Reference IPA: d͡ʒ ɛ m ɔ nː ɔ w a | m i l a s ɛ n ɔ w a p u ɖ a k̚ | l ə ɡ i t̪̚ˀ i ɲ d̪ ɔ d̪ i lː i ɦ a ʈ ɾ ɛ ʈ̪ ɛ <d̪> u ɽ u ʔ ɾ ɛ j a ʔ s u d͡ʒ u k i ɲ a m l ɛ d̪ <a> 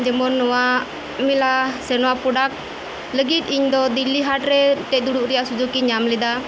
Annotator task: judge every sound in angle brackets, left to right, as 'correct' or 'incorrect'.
correct, correct

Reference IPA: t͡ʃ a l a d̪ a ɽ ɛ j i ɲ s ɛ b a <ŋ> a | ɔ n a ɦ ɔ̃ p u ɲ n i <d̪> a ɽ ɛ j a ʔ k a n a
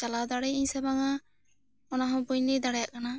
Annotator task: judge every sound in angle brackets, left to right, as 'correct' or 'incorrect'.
correct, correct

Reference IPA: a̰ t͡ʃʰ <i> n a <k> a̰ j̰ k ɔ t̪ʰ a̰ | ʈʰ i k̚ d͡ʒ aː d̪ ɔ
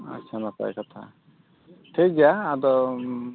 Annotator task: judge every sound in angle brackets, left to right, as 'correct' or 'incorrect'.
incorrect, incorrect

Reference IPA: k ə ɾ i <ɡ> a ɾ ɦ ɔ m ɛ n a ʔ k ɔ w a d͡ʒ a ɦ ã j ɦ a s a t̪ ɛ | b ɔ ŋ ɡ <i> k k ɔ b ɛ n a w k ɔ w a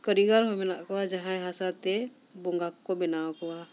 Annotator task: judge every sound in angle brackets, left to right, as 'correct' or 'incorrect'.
correct, incorrect

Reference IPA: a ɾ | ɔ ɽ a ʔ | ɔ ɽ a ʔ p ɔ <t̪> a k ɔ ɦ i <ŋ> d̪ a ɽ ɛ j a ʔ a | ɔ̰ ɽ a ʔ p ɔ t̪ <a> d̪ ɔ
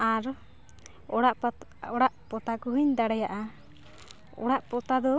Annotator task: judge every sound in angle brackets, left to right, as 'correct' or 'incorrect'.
correct, incorrect, correct

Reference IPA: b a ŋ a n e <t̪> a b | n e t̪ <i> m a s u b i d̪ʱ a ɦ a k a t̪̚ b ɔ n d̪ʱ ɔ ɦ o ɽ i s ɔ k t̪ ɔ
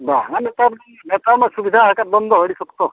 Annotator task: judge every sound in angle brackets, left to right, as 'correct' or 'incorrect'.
correct, incorrect

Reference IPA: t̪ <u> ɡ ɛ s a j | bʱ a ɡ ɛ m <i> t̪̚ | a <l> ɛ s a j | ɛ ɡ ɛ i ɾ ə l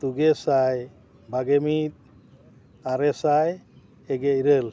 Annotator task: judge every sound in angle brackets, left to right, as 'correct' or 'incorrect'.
correct, correct, incorrect

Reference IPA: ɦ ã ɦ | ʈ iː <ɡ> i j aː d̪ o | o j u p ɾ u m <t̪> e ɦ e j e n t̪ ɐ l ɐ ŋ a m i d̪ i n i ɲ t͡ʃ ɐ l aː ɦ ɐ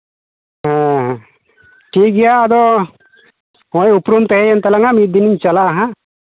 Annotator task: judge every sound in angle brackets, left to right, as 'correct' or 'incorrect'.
correct, correct

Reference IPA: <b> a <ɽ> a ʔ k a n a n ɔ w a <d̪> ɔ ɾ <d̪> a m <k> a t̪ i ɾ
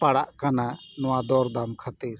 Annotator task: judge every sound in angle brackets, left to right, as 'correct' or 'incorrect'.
incorrect, correct, correct, correct, incorrect

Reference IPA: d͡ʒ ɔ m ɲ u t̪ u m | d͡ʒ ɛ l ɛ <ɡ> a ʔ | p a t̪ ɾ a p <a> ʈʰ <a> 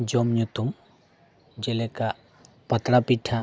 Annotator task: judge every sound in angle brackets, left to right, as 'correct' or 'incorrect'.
incorrect, incorrect, correct

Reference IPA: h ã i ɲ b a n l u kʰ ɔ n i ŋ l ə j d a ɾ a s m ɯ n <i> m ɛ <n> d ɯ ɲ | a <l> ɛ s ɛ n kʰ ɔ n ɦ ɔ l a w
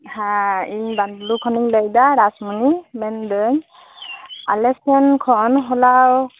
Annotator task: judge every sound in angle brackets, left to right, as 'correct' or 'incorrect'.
correct, correct, correct

